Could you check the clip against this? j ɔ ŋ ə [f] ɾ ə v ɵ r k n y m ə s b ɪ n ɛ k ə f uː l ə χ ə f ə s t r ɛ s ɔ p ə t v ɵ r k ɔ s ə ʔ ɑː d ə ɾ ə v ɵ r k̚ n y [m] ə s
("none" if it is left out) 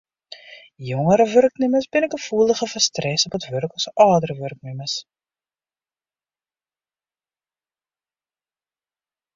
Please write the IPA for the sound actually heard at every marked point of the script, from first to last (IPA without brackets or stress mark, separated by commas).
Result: none, m